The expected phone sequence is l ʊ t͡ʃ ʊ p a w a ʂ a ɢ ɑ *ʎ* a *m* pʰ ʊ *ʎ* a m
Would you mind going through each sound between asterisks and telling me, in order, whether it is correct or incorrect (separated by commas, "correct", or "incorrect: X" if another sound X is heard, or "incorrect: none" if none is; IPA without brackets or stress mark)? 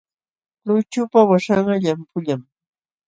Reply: correct, correct, correct